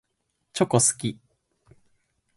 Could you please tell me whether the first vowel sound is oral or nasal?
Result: oral